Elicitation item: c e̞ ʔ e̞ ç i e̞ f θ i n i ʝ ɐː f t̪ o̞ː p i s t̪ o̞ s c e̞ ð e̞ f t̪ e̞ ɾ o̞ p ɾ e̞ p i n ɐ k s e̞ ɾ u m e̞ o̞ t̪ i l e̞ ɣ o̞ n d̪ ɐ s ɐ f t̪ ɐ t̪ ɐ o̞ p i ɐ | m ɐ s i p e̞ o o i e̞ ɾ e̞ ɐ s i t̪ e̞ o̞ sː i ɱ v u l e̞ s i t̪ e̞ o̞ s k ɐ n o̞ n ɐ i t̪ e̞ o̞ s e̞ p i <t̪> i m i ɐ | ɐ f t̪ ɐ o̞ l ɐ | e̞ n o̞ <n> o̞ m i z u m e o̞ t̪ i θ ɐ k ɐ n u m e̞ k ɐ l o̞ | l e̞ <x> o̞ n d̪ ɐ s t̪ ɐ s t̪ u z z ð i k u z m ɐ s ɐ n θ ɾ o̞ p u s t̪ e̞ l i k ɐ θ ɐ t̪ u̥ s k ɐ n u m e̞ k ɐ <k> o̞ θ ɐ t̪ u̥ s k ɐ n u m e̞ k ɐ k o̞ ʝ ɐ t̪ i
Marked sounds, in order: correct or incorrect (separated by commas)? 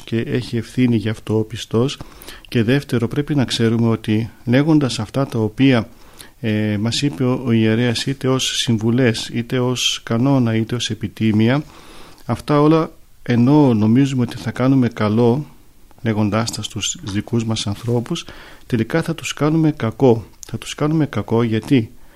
correct, correct, incorrect, correct